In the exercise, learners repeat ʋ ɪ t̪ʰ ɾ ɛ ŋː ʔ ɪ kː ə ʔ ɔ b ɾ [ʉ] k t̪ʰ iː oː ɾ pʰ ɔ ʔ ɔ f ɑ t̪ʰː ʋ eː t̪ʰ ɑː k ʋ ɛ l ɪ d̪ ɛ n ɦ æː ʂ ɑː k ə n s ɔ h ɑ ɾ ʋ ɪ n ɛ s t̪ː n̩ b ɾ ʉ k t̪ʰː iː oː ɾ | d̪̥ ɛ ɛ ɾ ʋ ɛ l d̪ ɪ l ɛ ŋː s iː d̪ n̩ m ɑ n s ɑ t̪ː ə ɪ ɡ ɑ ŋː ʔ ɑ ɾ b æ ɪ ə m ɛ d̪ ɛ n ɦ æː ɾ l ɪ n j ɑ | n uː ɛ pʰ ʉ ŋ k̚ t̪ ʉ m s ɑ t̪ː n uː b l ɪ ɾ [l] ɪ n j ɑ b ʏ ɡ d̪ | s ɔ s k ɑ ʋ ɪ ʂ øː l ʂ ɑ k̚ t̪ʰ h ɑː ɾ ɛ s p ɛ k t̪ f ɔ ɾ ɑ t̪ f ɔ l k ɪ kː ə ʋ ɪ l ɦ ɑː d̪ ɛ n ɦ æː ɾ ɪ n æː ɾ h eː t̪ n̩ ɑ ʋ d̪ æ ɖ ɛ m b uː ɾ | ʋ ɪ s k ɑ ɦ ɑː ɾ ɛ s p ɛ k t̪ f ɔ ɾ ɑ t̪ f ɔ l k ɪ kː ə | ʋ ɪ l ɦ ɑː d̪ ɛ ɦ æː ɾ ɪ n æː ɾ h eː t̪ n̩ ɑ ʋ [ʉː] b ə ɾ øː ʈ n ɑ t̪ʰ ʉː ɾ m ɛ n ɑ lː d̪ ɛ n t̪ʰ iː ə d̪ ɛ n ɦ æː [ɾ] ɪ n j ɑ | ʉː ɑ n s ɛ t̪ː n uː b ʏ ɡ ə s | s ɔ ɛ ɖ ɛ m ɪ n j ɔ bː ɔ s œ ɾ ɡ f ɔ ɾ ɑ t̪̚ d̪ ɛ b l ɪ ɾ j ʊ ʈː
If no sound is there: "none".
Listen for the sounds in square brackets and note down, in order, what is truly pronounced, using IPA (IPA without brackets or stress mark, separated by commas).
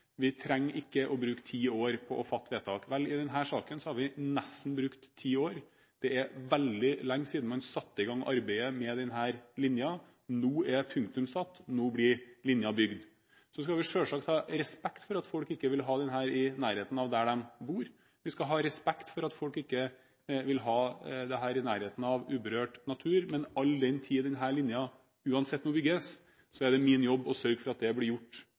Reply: ʉː, l, ʉː, ɭ